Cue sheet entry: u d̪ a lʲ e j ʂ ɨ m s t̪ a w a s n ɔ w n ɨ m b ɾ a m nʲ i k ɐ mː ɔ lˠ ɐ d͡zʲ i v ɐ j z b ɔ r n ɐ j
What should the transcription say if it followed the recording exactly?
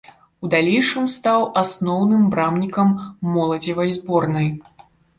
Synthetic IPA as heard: u d̪ a lʲ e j ʂ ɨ m s t̪ a w a s n ɔ w n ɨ m b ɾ a m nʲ i k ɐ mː ɔ lˠ ɐ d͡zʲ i v ɐ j z b ɔ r n ɐ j